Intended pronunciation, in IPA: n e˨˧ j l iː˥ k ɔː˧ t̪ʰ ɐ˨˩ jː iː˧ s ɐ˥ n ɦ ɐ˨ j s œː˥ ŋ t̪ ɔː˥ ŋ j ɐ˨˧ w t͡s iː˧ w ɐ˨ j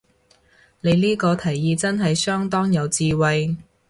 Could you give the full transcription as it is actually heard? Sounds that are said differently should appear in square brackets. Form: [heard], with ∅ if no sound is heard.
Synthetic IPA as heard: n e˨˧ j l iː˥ k ɔː˧ t̪ʰ ɐ˨˩ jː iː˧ [t͡s] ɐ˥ n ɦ ɐ˨ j s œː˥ ŋ t̪ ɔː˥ ŋ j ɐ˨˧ w t͡s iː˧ w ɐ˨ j